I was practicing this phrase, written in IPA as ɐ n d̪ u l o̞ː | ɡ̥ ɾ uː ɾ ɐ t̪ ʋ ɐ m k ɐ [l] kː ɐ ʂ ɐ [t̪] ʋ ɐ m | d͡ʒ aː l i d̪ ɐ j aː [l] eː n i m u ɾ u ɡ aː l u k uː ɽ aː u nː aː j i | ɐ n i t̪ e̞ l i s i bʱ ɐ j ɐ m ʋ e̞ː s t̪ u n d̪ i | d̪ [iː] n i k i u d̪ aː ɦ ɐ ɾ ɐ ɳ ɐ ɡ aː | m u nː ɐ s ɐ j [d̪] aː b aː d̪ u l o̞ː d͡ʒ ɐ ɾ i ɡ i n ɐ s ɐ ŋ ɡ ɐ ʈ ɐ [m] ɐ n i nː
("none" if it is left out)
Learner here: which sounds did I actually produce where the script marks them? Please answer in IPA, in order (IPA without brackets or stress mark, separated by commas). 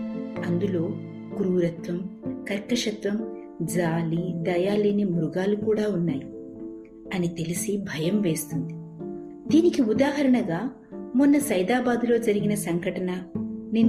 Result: ɾ, t̪, l, iː, d̪, n